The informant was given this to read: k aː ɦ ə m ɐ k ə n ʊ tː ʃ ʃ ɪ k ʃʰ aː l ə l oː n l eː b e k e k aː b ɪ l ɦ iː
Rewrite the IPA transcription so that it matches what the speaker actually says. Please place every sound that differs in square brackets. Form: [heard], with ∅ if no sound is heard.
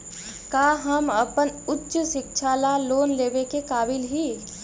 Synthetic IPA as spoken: k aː ɦ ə m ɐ [p] ə n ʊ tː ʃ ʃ ɪ k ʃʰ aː l [a] l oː n l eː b e k e k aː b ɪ l ɦ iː